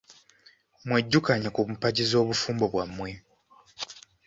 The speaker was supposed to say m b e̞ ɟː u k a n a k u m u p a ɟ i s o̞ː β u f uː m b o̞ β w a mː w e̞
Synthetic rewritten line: m w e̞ ɟː u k a ɲ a k u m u p a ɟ i z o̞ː β u f uː m b o̞ β w a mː w e̞